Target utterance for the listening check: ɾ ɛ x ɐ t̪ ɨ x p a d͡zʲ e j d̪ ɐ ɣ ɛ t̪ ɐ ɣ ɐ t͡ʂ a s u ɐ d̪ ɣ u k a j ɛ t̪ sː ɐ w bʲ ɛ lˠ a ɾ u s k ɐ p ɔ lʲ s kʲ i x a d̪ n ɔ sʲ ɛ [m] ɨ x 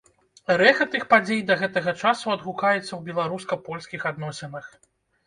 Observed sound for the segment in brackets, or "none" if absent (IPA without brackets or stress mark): n